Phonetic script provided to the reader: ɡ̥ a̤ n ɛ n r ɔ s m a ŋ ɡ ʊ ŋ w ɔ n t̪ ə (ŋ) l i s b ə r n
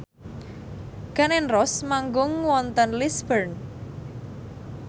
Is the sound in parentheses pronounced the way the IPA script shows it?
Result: no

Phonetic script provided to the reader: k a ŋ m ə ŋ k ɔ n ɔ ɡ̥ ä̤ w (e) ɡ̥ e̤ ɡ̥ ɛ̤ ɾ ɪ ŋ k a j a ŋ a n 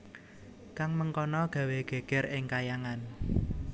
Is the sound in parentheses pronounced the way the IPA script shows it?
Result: yes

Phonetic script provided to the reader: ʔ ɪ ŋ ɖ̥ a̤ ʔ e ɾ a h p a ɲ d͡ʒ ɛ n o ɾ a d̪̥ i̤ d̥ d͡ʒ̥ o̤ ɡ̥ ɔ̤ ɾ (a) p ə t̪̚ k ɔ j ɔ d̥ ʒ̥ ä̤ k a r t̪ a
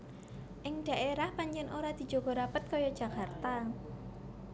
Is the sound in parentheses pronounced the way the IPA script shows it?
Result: yes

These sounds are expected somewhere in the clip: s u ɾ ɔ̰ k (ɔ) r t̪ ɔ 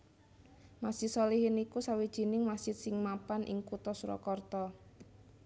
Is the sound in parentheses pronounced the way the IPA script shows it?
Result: yes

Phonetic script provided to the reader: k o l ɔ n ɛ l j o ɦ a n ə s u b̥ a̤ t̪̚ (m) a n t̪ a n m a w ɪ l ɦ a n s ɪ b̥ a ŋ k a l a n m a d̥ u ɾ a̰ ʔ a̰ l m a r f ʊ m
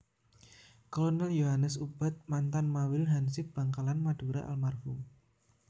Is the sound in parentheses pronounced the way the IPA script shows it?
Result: yes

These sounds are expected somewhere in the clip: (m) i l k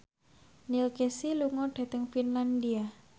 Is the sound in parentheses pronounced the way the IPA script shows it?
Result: no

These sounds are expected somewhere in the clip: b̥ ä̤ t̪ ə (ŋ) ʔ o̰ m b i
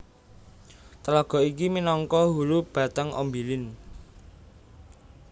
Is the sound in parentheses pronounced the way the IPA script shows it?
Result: yes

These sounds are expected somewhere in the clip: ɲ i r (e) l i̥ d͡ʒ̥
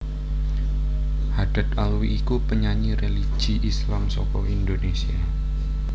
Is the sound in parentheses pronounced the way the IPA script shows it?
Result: yes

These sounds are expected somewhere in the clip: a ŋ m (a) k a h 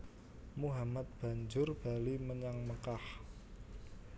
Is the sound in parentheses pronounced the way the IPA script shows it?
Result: no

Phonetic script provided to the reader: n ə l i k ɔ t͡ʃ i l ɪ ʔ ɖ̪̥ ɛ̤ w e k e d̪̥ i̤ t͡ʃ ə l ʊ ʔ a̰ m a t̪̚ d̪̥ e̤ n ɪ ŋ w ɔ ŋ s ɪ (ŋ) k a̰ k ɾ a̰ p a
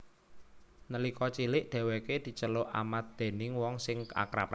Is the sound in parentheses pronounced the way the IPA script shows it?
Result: yes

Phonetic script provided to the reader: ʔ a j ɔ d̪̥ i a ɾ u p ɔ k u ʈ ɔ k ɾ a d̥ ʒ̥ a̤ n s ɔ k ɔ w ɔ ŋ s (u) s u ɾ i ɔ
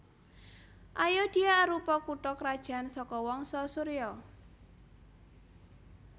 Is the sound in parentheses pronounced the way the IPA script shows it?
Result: no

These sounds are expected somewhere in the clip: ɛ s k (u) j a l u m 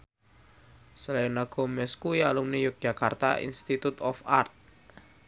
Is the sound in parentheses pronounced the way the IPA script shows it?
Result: yes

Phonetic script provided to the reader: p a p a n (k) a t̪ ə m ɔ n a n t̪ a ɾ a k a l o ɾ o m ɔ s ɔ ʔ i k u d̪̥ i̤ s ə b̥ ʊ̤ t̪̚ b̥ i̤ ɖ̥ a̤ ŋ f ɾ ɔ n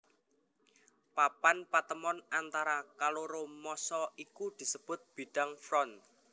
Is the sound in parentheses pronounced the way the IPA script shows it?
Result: no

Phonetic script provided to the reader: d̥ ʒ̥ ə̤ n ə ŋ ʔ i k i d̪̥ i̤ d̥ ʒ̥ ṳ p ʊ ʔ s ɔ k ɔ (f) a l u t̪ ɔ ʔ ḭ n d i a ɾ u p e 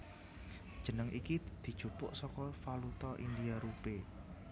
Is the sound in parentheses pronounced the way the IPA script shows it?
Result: yes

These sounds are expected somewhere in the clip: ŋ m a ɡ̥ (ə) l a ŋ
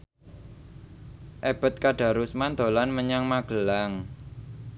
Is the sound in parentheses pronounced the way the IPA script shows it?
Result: yes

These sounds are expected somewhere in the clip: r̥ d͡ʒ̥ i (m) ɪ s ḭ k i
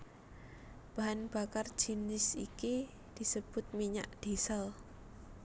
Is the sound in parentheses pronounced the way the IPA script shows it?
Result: no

